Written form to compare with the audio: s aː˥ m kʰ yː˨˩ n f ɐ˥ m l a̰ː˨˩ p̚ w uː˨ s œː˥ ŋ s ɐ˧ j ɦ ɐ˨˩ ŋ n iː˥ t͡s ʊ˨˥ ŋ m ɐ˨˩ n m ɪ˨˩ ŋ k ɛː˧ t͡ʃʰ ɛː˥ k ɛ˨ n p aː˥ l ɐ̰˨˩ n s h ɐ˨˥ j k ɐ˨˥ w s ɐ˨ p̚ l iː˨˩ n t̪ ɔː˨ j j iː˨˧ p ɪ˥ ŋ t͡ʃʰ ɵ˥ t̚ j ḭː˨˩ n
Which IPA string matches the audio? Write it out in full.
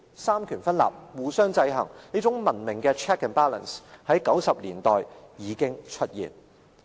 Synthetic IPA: s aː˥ m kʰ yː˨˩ n f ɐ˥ n l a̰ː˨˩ p̚ w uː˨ s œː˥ ŋ t͡s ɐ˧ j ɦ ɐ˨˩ ŋ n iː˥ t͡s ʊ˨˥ ŋ m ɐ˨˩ n m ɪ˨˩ ŋ k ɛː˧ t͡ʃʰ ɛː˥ k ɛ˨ n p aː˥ l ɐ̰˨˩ n s h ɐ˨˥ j k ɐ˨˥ w s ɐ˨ p̚ l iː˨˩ n t̪ ɔː˨ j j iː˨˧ k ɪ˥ ŋ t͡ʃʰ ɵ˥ t̚ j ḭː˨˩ n

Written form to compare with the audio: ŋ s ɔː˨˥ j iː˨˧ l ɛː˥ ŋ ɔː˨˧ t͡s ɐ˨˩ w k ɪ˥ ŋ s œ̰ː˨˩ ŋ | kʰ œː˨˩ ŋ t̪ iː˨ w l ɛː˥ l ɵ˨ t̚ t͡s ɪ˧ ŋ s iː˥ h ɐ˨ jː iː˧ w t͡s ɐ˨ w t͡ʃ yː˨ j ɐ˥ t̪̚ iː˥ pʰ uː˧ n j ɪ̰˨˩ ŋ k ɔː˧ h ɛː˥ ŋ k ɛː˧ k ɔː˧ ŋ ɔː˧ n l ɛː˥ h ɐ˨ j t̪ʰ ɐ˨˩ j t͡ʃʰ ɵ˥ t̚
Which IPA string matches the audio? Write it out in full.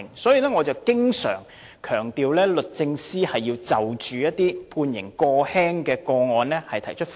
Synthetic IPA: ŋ s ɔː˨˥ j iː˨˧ l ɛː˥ ŋ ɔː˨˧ t͡s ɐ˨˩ w k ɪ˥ ŋ s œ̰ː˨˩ ŋ | kʰ œː˨˩ ŋ t̪ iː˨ w l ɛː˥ l ɵ˨ t̚ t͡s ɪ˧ ŋ s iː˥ h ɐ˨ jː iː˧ w t͡s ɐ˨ w t͡ʃ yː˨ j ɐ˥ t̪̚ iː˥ pʰ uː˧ n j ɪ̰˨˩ ŋ k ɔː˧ h ɛː˥ ŋ k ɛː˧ k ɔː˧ ŋ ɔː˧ n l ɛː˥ h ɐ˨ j t̪ʰ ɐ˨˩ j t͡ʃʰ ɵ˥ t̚

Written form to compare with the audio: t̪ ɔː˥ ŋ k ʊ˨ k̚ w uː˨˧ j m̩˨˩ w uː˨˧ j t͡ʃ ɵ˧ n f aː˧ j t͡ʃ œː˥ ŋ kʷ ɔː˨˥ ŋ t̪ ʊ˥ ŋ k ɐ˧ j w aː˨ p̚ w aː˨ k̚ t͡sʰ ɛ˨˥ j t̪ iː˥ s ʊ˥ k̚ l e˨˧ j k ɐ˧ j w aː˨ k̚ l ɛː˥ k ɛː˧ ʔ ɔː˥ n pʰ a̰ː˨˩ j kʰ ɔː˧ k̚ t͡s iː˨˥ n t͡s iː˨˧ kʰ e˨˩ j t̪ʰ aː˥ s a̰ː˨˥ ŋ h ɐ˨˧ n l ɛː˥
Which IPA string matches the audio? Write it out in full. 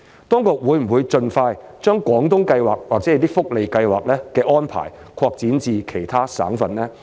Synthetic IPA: t̪ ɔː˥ ŋ k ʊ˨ k̚ w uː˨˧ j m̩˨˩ w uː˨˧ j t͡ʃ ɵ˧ n f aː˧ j t͡ʃ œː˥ ŋ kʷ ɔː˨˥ ŋ t̪ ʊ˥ ŋ k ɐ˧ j w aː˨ k̚ w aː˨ k̚ t͡s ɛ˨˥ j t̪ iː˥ f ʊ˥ k̚ l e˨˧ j k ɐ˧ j w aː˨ k̚ l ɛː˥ k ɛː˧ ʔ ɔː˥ n pʰ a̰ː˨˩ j kʰ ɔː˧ k̚ t͡s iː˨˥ n t͡s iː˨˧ kʰ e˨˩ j t̪ʰ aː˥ s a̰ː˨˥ ŋ f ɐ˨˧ n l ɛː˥

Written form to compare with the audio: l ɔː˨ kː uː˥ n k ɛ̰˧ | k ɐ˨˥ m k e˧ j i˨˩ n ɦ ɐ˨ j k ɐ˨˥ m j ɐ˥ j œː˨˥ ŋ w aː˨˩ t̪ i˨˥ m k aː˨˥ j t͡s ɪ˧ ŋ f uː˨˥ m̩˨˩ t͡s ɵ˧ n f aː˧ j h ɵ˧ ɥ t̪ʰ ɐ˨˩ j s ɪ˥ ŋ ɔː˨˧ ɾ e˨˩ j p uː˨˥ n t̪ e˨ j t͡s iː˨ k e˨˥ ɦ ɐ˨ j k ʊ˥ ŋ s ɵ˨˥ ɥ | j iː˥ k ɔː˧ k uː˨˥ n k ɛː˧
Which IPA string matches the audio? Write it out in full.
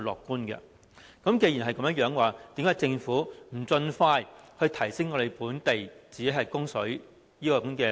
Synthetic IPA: l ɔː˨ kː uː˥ n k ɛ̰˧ | k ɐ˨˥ m k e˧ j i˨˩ n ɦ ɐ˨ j k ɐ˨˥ m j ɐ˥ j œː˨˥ ŋ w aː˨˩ t̪ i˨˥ m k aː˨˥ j t͡s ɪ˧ ŋ f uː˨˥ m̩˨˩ t͡s ɵ˧ n f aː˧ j h ɵ˧ ɥ t̪ʰ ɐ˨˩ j s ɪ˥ ŋ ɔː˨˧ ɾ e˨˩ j p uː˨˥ n t̪ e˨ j t͡s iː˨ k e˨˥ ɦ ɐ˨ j k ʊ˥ ŋ s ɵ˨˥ ɥ | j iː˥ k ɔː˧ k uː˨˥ n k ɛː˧

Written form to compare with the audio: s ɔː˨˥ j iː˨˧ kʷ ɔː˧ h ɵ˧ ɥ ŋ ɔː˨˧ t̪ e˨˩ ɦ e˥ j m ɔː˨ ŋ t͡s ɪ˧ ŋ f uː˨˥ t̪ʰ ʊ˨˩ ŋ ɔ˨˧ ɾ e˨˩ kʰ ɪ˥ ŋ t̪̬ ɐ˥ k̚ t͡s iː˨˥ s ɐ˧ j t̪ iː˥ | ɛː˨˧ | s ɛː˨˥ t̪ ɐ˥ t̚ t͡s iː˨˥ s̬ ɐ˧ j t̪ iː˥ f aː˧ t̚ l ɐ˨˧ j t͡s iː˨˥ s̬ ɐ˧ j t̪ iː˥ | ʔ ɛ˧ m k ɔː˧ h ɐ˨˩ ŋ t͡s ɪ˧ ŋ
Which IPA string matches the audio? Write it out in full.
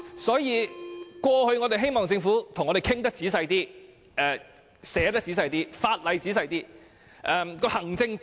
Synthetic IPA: s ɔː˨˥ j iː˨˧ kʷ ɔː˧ h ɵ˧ ɥ ŋ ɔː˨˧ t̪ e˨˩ ɦ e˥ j m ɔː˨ ŋ t͡s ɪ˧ ŋ f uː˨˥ t̪ʰ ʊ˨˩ ŋ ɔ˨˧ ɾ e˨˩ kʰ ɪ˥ ŋ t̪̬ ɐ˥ k̚ t͡s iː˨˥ s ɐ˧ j t̪ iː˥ | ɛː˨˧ | s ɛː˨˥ t̪ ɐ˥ k̚ t͡s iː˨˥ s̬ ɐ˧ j t̪ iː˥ f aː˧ t̚ l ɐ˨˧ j t͡s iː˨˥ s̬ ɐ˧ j t̪ iː˥ | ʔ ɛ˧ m k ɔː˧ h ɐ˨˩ ŋ t͡s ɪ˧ ŋ

